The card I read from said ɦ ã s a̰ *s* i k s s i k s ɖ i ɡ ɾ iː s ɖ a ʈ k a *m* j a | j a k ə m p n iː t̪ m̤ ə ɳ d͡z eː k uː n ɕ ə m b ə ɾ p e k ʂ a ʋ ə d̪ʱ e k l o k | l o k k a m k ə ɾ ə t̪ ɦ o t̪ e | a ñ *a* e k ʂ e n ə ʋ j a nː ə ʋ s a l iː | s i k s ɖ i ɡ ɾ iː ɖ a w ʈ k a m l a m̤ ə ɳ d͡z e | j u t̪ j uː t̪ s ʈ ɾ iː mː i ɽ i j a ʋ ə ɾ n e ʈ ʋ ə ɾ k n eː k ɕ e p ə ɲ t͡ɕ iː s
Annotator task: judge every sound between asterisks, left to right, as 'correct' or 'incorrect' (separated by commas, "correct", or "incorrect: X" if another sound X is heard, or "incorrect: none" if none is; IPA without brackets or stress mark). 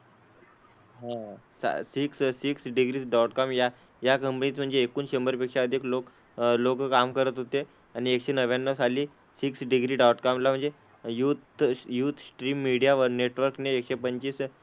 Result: correct, correct, incorrect: i